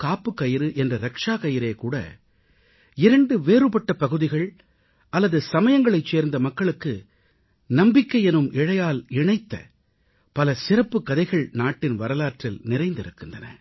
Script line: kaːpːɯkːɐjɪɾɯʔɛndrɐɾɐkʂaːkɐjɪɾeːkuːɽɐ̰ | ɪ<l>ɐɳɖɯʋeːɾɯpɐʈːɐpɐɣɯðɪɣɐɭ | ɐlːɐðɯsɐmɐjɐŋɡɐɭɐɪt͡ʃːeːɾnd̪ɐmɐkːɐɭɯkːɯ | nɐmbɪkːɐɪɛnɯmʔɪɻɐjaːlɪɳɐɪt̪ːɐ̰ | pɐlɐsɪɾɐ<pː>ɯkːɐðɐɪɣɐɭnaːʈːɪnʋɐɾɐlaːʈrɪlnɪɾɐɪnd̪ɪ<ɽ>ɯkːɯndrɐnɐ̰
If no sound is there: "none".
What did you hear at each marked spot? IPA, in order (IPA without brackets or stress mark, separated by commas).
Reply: ɾ, pː, ɾ